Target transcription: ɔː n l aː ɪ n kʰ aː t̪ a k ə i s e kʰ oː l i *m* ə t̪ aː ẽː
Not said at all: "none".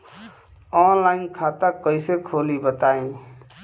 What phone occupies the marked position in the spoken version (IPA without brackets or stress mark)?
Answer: b